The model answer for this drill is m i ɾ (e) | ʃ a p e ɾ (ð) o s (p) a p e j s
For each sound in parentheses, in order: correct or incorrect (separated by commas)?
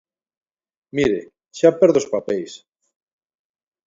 correct, correct, correct